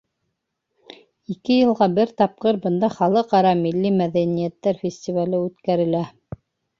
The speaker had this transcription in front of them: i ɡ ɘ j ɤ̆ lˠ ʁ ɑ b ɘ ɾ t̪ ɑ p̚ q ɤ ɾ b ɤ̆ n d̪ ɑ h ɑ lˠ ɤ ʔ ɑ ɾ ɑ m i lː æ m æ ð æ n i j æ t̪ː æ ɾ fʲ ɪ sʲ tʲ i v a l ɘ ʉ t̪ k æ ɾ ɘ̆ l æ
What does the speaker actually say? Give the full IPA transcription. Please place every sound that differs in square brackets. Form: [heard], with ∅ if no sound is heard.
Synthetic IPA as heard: i [k] ɘ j ɤ̆ lˠ ʁ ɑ b ɘ ɾ t̪ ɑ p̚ q ɤ ɾ b ɤ̆ n d̪ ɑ [χ] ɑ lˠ ɤ [q] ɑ ɾ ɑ m i lː [i] m æ ð æ n i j æ t̪ː æ ɾ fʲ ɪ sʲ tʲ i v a l ɘ ʉ t̪ k æ ɾ ɘ̆ l æ